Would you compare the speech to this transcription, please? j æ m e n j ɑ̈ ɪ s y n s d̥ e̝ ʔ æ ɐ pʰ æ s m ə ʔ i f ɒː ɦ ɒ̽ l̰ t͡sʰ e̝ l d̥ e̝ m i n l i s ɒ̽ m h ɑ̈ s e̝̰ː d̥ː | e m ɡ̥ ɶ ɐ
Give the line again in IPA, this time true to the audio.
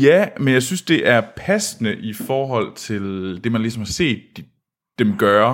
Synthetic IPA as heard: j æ m e n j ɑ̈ ɪ s y n s d̥ e̝ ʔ æ ɐ pʰ æ s n ə ʔ i f ɒː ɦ ɒ̽ l̰ t͡sʰ e̝ l d̥ e̝ m æ n l i s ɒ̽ m h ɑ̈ s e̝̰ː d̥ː | e m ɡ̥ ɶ ɐ